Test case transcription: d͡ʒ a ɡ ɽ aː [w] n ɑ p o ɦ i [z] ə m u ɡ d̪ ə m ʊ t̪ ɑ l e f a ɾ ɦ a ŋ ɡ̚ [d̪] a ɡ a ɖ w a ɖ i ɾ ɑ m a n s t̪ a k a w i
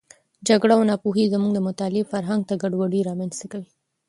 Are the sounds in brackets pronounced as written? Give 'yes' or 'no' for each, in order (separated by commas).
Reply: yes, yes, no